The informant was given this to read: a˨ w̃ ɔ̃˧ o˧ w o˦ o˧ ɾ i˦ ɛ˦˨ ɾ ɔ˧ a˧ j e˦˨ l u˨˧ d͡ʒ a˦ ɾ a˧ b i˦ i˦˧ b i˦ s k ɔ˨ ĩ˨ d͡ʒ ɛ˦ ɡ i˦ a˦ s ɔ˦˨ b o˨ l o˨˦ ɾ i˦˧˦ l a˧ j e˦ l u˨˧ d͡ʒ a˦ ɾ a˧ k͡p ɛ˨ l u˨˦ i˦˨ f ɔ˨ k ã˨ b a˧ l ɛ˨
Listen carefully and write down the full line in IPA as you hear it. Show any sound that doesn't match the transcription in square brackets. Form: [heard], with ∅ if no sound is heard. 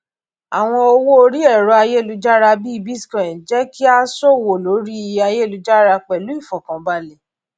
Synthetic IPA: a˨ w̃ ɔ̃˧ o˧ w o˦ o˧ ɾ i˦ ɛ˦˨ ɾ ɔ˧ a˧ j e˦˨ l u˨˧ d͡ʒ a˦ ɾ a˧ b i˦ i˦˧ b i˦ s k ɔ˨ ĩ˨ d͡ʒ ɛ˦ [k] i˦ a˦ s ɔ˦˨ [w] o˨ l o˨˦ ɾ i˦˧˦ [∅] a˧ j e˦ l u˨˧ d͡ʒ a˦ ɾ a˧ k͡p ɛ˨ l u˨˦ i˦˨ f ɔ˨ k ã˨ b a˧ l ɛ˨